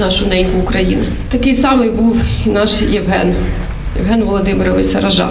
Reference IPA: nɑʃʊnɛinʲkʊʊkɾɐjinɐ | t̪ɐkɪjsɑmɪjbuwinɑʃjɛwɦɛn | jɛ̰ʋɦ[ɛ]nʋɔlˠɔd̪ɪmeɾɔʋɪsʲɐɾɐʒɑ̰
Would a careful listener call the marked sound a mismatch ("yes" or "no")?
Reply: no